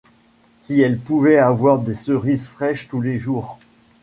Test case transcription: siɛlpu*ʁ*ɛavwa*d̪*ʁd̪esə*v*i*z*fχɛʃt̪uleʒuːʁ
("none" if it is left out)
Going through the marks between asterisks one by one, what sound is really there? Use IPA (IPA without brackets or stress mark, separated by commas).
v, none, ʁ, z